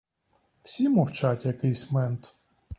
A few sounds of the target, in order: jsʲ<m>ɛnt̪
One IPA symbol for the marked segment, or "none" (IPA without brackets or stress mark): m